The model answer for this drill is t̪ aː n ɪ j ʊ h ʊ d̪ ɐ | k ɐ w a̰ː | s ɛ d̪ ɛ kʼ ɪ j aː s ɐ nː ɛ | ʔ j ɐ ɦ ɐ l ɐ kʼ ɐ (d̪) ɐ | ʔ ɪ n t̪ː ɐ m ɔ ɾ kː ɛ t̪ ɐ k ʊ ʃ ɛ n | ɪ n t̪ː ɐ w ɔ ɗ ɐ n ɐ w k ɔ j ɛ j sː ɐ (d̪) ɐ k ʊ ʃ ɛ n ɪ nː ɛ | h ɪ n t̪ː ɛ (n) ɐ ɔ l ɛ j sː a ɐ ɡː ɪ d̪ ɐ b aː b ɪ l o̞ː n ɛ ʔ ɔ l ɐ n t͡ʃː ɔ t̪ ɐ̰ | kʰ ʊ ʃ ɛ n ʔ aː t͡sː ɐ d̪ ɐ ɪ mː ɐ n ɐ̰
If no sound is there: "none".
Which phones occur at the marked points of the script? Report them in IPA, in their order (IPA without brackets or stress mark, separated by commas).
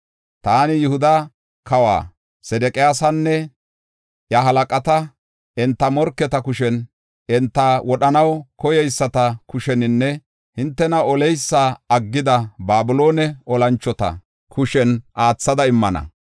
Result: t̪, t̪, n